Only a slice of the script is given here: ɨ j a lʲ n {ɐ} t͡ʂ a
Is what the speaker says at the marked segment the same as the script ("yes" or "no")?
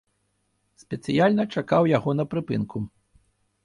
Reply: yes